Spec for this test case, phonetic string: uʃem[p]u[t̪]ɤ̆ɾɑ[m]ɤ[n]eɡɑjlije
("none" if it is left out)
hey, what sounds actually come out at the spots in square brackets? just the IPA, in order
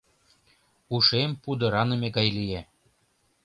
p, d̪, n, m

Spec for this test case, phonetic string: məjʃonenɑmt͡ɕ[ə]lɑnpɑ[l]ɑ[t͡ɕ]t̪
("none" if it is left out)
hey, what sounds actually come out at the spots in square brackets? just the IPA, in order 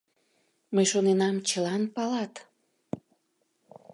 ə, l, none

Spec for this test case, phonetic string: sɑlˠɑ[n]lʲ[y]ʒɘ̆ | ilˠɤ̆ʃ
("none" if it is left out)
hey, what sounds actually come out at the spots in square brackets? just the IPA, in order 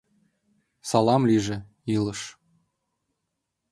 m, i

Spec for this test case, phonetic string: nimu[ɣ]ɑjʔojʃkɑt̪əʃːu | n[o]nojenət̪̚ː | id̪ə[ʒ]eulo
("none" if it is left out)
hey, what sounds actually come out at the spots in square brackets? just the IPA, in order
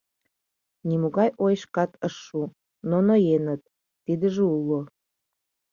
ɣ, o, ʒ

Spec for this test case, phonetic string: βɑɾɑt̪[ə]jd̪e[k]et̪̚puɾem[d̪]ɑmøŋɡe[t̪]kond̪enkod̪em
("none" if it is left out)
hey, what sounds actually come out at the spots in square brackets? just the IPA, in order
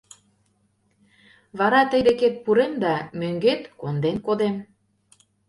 ə, k, d̪, t̪

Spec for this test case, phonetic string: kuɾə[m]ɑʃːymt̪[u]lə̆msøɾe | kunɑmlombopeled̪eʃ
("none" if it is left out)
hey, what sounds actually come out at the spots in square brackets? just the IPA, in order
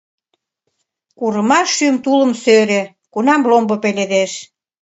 m, u

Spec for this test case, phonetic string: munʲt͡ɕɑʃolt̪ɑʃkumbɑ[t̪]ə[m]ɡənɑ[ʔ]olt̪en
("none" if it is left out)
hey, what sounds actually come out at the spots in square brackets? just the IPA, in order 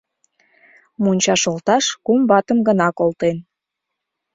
t̪, m, k

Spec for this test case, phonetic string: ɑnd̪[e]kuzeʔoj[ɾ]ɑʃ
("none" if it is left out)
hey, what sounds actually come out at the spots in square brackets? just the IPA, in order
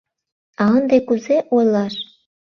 e, l

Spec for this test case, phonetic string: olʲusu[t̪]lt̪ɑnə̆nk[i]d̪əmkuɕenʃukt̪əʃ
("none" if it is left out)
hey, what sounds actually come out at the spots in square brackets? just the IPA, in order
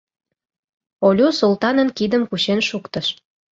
none, i

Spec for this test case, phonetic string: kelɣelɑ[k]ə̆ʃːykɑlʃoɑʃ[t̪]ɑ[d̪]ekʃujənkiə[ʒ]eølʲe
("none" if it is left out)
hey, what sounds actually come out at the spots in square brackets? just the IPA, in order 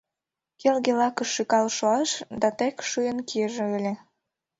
k, d̪, t̪, ʒ

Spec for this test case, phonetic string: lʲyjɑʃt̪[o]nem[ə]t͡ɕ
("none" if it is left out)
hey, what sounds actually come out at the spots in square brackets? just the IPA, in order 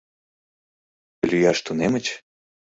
u, ə

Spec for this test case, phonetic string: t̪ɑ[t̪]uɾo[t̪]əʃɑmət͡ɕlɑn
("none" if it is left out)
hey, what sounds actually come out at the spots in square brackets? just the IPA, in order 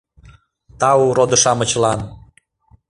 none, d̪

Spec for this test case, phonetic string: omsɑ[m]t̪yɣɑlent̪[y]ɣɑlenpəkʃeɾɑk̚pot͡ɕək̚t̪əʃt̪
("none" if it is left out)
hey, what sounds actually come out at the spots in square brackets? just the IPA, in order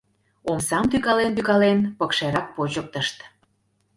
m, y

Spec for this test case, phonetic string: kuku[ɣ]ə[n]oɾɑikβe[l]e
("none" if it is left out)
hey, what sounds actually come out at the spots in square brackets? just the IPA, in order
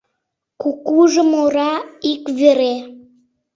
ʒ, m, ɾ

